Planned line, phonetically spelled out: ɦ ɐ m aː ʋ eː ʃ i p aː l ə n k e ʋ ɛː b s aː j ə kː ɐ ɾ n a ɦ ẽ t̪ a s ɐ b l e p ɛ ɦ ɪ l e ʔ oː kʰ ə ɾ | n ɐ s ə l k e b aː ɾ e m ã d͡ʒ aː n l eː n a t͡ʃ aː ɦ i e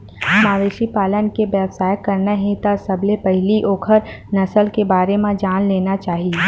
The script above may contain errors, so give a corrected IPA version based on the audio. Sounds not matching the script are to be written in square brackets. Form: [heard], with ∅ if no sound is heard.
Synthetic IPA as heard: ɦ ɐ m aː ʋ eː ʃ i p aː l ə n k e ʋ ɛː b s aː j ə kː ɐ ɾ n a ɦ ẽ t̪ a s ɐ b l e p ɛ ɦ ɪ l [i] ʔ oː kʰ ə ɾ | n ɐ s ə l k e b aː ɾ e m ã d͡ʒ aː n l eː n a t͡ʃ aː ɦ i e